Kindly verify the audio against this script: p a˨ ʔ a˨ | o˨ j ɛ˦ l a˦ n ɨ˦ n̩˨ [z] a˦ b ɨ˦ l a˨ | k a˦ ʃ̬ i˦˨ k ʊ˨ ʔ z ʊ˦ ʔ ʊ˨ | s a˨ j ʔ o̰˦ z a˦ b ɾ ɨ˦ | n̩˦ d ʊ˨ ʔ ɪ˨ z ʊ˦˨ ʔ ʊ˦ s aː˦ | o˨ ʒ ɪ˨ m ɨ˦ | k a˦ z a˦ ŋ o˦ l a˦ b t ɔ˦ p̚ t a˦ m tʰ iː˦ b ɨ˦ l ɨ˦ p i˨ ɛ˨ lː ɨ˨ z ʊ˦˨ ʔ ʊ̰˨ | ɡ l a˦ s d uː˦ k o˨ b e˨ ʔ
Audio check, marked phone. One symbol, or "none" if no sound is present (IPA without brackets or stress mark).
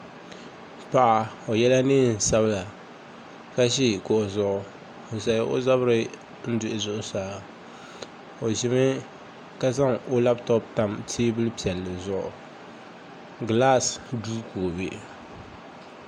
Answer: s